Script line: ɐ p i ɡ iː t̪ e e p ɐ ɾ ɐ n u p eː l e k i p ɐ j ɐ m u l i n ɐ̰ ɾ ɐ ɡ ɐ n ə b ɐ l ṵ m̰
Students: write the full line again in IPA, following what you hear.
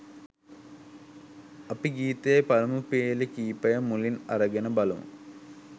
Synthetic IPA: ɐ p i ɡ iː t̪ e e p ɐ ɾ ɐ m u p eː l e k iː p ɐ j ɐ m u l i n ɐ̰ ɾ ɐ ɡ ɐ n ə b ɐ l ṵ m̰